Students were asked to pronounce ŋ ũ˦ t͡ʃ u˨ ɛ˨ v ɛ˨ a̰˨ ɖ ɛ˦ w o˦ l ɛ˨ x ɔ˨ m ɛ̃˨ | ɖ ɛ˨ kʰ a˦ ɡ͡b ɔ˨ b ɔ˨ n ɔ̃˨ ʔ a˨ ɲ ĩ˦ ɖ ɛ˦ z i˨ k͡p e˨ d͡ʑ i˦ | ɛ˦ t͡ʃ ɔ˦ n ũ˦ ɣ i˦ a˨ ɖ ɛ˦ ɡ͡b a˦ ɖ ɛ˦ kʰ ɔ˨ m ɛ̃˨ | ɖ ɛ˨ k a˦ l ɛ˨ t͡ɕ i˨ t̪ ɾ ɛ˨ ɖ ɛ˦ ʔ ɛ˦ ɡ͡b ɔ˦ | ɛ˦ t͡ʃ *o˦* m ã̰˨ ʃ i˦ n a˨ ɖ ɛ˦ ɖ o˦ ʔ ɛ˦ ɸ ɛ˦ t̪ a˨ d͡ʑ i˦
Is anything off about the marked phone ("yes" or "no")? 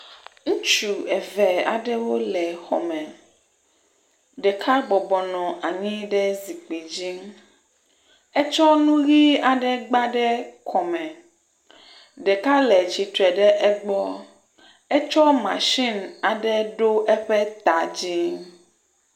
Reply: yes